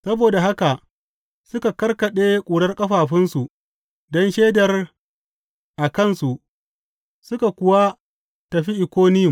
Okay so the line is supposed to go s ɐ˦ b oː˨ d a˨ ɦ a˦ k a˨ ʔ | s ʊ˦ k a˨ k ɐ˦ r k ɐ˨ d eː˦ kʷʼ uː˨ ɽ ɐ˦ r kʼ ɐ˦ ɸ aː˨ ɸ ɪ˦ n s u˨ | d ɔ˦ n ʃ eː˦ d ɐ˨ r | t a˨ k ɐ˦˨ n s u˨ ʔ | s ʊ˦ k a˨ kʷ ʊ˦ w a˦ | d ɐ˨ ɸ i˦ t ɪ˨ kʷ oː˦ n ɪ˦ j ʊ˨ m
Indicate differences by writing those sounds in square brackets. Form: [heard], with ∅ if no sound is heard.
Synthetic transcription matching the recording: s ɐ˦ b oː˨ d a˨ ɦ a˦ k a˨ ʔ | s ʊ˦ k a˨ k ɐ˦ r k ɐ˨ [ɗ] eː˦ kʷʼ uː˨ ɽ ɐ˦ r kʼ ɐ˦ ɸ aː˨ ɸ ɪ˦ n s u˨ | d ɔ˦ n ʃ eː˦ d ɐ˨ r | [ʔ] a˨ k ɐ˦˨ n s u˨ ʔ | s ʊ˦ k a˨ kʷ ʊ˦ w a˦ | [t] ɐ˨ ɸ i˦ [ʔ] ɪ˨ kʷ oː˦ n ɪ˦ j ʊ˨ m